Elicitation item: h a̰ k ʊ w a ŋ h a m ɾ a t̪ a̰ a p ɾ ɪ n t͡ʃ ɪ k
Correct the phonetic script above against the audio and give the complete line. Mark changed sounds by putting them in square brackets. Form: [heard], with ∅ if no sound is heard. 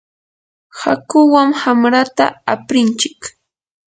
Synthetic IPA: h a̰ k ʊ w a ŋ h a m ɾ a t̪ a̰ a p ɾ ɪ n t͡ʃ ɪ k